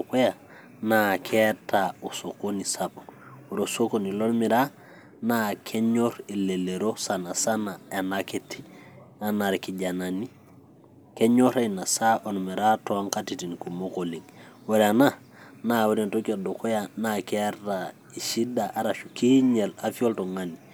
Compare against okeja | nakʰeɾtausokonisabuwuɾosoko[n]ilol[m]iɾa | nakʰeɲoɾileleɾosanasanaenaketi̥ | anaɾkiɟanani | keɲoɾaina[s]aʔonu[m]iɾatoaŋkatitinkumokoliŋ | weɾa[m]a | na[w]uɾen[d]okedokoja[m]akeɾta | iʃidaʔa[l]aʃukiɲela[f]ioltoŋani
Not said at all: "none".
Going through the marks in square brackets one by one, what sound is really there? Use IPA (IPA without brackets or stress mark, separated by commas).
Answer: n, m, s, m, n, w, t, n, ɾ, f